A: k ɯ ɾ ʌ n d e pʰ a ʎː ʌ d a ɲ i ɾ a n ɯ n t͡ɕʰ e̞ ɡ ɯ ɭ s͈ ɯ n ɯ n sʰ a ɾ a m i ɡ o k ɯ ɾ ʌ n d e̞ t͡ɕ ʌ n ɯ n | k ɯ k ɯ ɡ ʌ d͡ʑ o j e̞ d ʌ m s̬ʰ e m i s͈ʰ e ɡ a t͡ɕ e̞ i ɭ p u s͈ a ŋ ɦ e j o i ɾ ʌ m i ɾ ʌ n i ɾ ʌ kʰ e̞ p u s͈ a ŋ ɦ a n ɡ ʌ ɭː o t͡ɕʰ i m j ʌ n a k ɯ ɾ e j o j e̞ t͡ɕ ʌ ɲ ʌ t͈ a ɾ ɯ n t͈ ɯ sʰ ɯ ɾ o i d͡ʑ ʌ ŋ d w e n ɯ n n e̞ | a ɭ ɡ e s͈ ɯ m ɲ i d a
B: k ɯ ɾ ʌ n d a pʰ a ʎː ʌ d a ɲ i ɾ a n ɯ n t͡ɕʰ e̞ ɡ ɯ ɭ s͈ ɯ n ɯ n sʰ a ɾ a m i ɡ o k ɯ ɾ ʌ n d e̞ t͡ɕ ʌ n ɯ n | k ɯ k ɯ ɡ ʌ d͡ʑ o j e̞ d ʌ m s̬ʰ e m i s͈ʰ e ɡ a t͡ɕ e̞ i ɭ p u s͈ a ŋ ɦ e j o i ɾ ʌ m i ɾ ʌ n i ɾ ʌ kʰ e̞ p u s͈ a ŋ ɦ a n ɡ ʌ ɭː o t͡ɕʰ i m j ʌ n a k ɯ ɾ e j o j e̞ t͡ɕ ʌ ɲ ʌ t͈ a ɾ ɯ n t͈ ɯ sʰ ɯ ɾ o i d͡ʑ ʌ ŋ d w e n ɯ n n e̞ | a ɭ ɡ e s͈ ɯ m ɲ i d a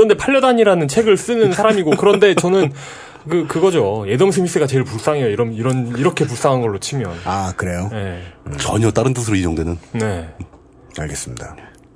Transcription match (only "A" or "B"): A